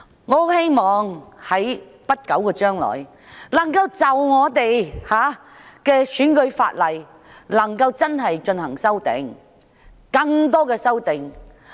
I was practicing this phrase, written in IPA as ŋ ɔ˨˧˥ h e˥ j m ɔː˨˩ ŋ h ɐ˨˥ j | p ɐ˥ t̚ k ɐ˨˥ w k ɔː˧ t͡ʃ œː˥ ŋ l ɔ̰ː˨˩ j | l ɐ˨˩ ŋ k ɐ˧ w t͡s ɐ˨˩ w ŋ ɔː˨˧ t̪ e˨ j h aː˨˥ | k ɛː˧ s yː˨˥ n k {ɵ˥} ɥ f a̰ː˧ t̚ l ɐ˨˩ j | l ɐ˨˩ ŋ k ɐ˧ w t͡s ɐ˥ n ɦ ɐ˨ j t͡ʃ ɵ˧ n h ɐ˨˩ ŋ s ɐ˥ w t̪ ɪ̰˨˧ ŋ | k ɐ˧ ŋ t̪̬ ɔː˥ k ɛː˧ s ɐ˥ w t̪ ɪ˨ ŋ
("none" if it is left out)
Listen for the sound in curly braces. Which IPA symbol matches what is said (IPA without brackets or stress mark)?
ɵ˨˧